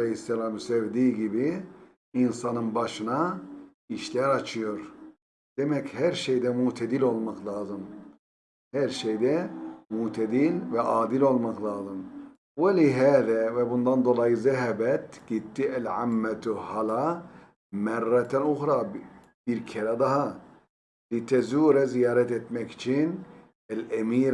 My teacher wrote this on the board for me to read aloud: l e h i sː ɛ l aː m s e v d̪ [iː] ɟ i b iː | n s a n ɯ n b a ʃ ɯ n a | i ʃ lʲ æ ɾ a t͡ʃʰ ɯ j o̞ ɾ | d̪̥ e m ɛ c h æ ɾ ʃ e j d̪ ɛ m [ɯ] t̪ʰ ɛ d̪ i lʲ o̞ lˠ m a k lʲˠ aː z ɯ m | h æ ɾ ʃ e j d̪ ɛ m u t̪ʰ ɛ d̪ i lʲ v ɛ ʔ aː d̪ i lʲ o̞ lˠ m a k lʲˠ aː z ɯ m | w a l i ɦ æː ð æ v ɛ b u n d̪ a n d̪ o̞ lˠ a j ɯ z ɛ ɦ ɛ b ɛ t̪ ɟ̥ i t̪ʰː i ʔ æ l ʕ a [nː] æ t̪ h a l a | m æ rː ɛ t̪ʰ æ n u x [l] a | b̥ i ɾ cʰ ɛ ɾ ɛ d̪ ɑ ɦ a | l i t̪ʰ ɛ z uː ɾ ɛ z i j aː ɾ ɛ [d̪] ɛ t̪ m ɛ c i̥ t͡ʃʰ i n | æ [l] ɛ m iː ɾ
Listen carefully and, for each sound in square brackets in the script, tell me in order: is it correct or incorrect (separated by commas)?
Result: correct, incorrect, incorrect, incorrect, incorrect, correct